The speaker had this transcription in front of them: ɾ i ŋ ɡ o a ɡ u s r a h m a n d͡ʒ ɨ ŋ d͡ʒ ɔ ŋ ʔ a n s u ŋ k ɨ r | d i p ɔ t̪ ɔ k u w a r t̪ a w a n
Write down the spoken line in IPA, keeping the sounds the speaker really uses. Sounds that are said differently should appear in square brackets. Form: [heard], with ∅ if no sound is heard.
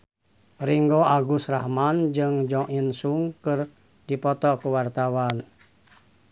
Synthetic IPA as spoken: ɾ i ŋ ɡ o a ɡ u s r a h m a n d͡ʒ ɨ ŋ d͡ʒ ɔ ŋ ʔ [i] n s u ŋ k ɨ r | d i p ɔ t̪ ɔ k u w a r t̪ a w a n